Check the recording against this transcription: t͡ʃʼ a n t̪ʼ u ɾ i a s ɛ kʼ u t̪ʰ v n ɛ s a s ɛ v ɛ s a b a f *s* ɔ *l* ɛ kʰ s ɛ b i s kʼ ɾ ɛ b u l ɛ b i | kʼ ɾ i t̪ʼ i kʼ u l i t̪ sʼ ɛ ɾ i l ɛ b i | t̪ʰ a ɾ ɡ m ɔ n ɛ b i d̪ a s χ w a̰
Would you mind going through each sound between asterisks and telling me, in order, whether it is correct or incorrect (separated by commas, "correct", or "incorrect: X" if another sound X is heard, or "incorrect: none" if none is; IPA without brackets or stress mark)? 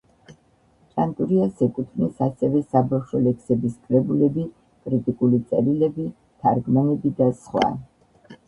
incorrect: ʃ, correct